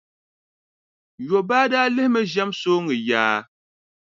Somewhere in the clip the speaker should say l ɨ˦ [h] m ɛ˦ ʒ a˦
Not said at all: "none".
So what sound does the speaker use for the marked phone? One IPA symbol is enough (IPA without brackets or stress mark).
h